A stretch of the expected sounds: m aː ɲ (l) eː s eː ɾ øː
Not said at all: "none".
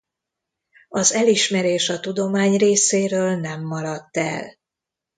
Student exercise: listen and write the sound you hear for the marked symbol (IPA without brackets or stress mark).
r